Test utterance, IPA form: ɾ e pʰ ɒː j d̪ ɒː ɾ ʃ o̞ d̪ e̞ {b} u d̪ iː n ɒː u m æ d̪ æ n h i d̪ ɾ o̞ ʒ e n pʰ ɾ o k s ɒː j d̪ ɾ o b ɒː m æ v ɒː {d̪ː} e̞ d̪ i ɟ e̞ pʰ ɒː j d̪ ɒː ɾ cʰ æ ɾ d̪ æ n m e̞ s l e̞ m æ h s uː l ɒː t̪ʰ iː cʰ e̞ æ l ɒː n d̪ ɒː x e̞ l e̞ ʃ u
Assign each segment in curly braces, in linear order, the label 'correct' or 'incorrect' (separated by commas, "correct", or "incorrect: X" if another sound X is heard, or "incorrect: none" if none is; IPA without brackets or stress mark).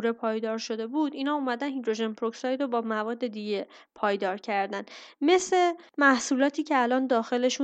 correct, correct